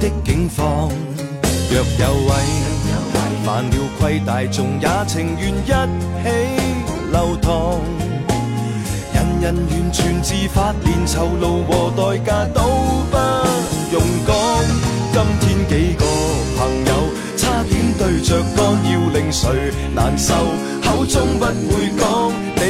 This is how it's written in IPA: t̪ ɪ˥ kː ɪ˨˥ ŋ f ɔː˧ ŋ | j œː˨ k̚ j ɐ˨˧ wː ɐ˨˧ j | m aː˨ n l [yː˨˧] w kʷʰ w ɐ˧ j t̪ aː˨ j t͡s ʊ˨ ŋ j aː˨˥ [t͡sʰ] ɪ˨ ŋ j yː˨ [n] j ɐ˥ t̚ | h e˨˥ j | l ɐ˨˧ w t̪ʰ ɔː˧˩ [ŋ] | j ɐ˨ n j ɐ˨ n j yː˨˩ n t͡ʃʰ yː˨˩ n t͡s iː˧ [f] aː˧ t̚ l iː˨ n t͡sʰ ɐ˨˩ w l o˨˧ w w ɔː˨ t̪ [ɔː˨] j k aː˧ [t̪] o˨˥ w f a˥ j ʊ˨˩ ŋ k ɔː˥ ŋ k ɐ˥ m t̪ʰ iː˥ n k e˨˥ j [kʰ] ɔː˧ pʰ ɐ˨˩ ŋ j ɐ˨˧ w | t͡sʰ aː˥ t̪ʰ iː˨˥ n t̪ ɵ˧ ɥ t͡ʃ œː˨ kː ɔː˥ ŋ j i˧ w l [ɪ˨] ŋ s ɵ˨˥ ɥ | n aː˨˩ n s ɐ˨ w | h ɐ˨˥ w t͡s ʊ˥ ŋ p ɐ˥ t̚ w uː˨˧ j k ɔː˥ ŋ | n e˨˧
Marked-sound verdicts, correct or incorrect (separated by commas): incorrect, correct, correct, correct, correct, correct, correct, incorrect, correct